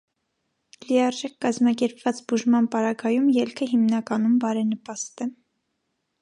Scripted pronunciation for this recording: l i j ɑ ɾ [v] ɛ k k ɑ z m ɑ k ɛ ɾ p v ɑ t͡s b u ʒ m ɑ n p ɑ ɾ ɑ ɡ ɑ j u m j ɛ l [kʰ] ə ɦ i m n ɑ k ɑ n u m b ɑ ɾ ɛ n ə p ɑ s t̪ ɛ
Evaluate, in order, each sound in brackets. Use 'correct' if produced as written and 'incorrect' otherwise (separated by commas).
incorrect, correct